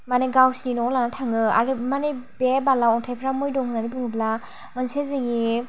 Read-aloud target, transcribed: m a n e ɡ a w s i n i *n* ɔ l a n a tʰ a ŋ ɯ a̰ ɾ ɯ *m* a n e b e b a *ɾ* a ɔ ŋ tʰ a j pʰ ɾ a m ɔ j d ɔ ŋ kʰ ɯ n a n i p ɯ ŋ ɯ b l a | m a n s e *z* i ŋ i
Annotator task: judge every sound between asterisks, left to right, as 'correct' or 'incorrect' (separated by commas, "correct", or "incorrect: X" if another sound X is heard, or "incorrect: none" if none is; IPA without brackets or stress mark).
correct, correct, incorrect: l, correct